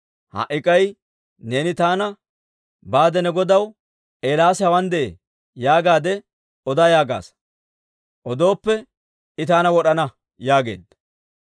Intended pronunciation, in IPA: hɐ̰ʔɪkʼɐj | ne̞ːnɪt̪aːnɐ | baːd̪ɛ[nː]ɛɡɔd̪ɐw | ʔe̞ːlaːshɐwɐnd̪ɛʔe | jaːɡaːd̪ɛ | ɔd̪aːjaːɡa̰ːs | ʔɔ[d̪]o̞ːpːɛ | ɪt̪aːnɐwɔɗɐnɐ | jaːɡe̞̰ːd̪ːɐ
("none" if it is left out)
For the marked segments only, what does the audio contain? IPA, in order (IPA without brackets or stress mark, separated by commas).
n, d̪